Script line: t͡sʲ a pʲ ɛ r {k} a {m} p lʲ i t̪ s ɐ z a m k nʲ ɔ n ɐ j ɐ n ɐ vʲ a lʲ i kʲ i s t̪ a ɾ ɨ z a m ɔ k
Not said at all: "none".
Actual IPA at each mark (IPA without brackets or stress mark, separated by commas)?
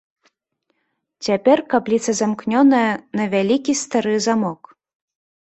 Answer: k, none